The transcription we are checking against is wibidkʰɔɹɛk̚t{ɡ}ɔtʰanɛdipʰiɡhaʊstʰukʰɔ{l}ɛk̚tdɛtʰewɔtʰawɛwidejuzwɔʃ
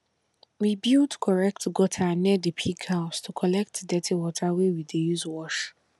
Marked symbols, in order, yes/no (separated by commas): yes, yes